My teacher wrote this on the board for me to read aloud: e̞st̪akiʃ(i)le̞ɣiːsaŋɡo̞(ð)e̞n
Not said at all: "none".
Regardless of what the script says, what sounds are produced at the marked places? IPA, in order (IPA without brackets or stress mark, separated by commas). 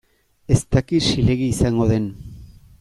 i, ð